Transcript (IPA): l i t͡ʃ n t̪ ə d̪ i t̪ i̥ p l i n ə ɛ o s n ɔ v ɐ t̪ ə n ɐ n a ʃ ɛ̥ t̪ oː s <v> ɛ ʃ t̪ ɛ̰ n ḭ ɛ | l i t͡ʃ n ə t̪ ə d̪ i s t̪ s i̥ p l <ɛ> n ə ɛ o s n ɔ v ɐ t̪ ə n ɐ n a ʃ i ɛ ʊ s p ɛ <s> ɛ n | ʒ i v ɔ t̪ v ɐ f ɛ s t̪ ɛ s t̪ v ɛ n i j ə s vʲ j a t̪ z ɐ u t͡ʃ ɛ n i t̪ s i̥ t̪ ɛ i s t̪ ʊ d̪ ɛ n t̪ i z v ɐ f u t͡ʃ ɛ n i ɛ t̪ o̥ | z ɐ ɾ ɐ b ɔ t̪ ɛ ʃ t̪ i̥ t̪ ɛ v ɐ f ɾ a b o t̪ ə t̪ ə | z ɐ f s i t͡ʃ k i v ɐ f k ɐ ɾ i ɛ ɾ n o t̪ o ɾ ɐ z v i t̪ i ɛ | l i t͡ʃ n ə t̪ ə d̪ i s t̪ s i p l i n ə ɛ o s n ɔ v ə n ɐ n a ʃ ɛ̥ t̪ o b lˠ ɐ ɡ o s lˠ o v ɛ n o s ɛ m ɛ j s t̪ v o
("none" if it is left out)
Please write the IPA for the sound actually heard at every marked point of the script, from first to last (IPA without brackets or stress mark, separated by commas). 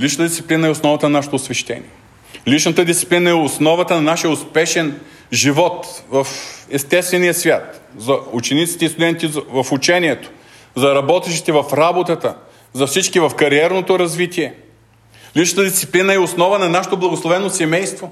v, i, ʃ